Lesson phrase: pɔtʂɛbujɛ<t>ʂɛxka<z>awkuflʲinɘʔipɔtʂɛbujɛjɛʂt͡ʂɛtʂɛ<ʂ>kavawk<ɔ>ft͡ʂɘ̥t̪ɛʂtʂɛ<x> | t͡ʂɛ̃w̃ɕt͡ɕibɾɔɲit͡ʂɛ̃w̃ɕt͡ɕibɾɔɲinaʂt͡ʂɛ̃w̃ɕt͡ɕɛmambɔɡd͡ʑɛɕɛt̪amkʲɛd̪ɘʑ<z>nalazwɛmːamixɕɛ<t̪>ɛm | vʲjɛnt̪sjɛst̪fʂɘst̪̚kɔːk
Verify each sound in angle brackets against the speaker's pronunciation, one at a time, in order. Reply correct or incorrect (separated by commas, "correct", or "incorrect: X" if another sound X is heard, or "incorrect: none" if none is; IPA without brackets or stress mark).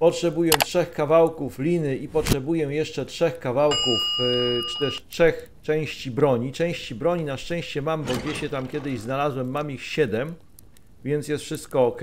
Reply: correct, incorrect: v, incorrect: x, incorrect: u, correct, correct, incorrect: d̪